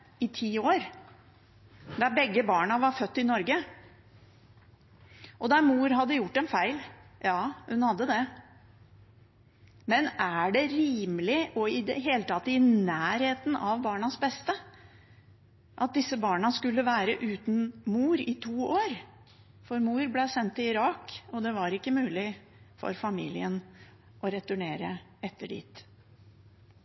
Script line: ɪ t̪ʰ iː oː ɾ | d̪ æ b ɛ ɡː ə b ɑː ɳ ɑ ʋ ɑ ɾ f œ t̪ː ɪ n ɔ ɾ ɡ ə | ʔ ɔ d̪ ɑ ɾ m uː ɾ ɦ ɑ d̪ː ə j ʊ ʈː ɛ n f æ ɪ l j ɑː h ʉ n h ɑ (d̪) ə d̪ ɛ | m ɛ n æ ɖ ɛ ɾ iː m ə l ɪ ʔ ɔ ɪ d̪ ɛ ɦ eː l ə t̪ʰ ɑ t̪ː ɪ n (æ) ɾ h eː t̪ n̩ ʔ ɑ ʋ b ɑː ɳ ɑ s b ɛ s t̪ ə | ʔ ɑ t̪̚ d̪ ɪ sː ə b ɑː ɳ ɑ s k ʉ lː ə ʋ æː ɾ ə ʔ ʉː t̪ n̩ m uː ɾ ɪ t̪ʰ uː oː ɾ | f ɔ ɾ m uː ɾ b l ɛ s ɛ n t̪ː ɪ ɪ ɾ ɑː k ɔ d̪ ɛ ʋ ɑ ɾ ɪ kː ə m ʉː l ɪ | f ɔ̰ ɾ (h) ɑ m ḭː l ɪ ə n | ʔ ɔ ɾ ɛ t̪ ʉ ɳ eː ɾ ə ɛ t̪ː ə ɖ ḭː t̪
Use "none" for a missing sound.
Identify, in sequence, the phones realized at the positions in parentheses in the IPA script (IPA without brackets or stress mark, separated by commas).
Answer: d̪ː, æː, f